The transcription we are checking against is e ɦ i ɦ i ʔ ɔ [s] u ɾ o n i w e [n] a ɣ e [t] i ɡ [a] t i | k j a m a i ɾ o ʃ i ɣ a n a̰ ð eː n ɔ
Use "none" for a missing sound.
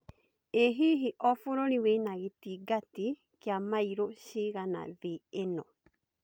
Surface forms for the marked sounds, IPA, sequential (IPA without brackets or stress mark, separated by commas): f, n, t, a